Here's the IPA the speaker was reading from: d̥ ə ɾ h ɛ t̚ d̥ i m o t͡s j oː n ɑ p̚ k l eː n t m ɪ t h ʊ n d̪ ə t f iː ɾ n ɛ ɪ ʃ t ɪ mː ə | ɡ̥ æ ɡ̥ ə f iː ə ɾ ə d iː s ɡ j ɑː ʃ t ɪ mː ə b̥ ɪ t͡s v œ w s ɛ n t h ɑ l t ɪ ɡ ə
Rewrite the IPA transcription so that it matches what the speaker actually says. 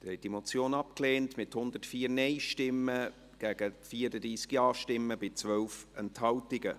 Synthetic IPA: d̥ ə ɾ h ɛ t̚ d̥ i m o t͡s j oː n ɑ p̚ k l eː n t m ɪ t h ʊ n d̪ ə t f iː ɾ n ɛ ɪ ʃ t ɪ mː ə | ɡ̥ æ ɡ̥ ə f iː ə ɾ ə d iː s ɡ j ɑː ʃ t ɪ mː ə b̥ ɪ t͡s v œ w f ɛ n t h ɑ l t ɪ ɡ ə